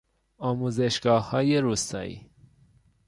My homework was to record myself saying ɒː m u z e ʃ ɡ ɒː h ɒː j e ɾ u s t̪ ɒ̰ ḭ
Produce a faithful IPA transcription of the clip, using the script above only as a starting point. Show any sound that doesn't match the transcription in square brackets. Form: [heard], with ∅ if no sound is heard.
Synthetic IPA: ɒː m u z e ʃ ɡ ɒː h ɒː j e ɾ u s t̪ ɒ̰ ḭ